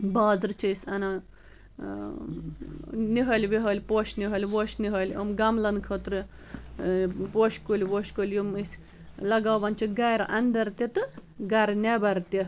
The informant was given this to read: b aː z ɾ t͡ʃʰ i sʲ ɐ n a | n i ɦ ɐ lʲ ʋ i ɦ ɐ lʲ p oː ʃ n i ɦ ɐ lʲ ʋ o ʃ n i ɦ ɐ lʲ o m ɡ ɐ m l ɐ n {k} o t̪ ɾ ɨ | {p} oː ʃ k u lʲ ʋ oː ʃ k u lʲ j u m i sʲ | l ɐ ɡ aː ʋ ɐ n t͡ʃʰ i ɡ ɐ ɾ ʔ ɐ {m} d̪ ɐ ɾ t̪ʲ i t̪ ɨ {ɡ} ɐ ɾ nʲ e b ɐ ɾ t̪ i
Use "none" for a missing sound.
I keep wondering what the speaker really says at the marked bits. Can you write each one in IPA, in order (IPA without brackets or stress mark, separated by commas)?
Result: kʰ, p, n, ɡ